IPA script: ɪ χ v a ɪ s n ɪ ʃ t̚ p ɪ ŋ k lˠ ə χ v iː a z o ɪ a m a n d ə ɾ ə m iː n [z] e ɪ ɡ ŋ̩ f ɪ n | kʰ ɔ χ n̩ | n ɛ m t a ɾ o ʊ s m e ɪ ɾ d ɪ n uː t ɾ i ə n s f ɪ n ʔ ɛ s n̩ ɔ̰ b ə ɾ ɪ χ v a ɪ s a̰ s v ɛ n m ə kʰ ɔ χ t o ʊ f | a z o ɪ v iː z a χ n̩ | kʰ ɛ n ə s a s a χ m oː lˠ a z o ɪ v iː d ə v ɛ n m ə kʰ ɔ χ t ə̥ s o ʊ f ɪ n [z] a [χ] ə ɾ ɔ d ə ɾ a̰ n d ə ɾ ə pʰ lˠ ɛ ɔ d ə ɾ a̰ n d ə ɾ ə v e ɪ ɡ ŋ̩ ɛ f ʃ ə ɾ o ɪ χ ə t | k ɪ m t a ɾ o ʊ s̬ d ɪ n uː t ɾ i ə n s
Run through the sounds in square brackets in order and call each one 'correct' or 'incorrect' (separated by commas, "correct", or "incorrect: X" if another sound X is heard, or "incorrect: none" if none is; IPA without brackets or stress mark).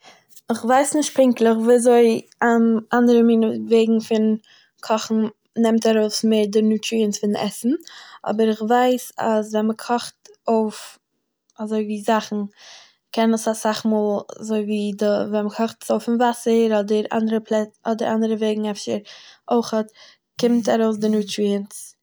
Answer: incorrect: v, incorrect: v, incorrect: s